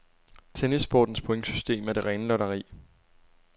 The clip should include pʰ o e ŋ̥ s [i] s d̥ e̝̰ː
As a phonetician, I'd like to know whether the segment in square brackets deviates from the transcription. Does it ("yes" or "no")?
yes